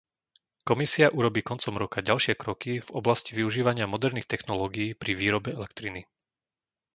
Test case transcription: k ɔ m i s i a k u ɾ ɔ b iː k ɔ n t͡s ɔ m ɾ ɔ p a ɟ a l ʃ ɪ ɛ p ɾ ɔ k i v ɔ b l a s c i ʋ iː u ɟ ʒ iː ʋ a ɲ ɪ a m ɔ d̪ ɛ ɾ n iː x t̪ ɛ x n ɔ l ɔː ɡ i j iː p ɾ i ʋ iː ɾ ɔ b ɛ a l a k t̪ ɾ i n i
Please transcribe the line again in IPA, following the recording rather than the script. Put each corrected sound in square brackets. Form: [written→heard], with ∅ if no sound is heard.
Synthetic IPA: k ɔ m i s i a [k→ʔ] u ɾ ɔ b iː k ɔ n t͡s ɔ m ɾ ɔ [p→k] a ɟ a l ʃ ɪ ɛ [p→k] ɾ ɔ k i v ɔ b l a s c i ʋ [iː→i] u [ɟ→∅] ʒ iː ʋ a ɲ ɪ a m ɔ d̪ ɛ ɾ n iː x t̪ ɛ x n ɔ l ɔː ɡ i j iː p ɾ i ʋ iː ɾ ɔ b ɛ [a→ɛ] l [a→ɛ] k t̪ ɾ i n i